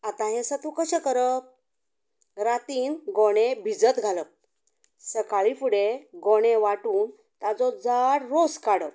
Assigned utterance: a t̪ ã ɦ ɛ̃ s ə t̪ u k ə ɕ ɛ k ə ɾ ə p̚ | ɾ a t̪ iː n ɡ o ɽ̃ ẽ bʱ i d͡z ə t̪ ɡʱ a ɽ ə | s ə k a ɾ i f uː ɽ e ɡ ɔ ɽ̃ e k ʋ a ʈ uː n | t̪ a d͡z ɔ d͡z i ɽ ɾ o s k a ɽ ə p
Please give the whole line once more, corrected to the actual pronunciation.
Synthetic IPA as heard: a t̪ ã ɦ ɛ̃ s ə t̪ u k ə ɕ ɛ k ə ɾ ə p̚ | ɾ a t̪ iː n ɡ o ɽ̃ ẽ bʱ i d͡z ə t̪ ɡʱ a l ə | s ə k a ɭ i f u ɽ e ɡ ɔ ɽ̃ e ʋ a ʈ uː n | t̪ a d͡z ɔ d͡z a ɽ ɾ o s k a ɽ ə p